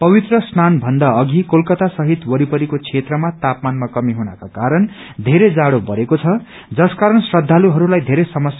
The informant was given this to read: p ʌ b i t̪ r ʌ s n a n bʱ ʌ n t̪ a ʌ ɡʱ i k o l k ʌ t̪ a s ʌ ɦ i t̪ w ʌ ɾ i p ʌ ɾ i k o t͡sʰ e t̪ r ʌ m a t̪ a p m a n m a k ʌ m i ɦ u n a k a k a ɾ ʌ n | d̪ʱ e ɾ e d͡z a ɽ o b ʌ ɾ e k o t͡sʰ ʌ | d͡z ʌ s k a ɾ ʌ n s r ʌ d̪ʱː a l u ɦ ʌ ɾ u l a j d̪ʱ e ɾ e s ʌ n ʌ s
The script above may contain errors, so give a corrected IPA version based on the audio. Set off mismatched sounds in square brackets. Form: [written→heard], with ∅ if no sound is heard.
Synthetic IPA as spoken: p ʌ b i t̪ r ʌ s n a n bʱ ʌ n [t̪→d̪] a ʌ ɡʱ i k o l k ʌ t̪ a s ʌ ɦ i t̪ w ʌ ɾ i p ʌ ɾ i k o t͡sʰ e t̪ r ʌ m a t̪ a p m a n m a k ʌ m i ɦ u n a k a k a ɾ ʌ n | d̪ʱ e ɾ e d͡z a ɽ o b ʌ ɾ e k o t͡sʰ ʌ | d͡z ʌ s k a ɾ ʌ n s r ʌ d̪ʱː a l u ɦ ʌ ɾ u l a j d̪ʱ e ɾ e s ʌ [n→m] ʌ s